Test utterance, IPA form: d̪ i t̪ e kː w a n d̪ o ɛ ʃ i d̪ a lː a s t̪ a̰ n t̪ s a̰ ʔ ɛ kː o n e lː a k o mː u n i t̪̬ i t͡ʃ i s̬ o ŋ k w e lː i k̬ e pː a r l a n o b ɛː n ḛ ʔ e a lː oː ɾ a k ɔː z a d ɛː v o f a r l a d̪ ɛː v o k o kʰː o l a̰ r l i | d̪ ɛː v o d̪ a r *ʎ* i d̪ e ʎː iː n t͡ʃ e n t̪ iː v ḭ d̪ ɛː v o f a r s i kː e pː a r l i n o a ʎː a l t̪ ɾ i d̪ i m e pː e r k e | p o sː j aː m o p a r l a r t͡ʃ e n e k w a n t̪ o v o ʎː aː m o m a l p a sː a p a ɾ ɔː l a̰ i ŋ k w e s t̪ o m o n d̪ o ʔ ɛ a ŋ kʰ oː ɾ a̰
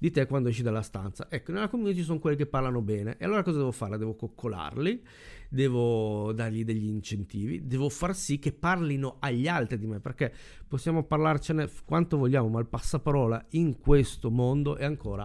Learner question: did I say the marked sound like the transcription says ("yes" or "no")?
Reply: yes